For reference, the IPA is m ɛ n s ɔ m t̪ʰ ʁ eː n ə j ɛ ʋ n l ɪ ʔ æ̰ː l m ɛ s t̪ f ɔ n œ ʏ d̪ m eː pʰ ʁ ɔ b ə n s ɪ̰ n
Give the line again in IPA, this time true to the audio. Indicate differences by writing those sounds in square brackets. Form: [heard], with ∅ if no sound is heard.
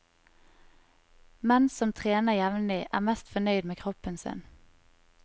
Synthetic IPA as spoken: m ɛ n s ɔ m t̪ʰ ʁ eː n ə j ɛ ʋ n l ɪ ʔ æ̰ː [∅] m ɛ s t̪ f ɔ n œ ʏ d̪ m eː [kʰ] ʁ ɔ [p] ə n s ɪ̰ n